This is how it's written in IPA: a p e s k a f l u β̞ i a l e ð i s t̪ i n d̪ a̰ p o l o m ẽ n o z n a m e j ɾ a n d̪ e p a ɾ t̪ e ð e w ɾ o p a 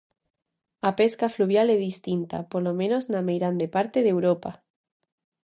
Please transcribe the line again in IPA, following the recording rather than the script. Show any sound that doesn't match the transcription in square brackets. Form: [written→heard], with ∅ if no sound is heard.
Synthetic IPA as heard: a p e s k a f l u β̞ [i→j] a l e ð i s t̪ i n [d̪→t̪] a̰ p o l o m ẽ n o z n a m e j ɾ a n d̪ e p a ɾ t̪ e ð e w ɾ o p a